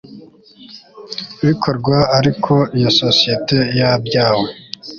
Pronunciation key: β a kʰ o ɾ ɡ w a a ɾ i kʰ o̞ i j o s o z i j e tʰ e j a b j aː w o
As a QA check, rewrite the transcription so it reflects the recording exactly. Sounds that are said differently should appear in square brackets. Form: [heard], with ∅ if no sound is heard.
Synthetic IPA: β [i] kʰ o ɾ ɡ w a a ɾ i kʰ o̞ i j o s o [s] i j e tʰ e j a b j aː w o